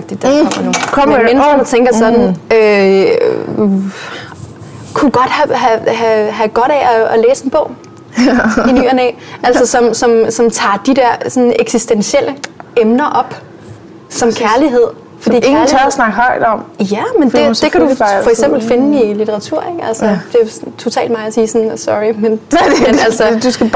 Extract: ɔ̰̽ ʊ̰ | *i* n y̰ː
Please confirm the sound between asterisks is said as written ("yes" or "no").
yes